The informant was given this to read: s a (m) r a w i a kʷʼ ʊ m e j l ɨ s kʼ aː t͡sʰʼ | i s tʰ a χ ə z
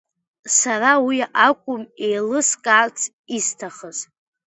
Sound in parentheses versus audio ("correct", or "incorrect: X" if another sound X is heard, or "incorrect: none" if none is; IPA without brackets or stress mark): incorrect: none